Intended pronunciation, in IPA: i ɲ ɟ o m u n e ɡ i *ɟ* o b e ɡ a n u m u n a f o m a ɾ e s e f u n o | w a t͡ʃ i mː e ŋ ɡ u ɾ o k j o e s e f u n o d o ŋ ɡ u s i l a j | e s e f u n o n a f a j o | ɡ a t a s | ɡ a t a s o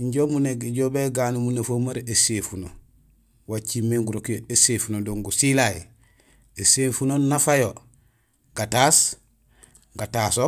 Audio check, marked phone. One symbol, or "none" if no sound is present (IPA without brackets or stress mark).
ɟ